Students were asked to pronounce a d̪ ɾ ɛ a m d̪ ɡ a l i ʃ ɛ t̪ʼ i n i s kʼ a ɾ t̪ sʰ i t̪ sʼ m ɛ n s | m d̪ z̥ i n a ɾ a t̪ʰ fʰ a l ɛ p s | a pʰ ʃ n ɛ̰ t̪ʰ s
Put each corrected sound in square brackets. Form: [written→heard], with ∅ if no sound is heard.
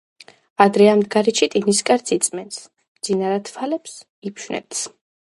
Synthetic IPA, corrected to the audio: a d̪ ɾ ɛ a m d̪ ɡ a [l→ɾ] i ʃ [ɛ→i] t̪ʼ i n i s kʼ a ɾ t̪ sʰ i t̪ sʼ m ɛ n s | m d̪ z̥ i n a ɾ a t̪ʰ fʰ a l ɛ p s | [a→i] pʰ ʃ n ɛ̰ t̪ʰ s